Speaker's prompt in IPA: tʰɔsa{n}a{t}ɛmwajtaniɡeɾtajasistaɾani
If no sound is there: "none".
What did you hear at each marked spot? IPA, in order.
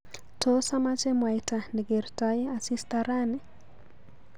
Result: m, t͡ʃ

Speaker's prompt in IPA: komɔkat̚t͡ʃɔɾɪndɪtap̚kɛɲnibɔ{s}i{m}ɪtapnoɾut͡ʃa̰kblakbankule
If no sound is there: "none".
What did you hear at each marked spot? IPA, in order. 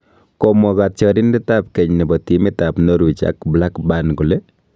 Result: t, m

